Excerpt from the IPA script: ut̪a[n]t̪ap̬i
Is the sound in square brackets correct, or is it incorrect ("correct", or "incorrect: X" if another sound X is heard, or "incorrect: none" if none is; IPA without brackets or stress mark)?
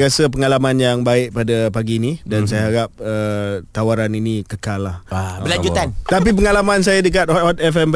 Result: correct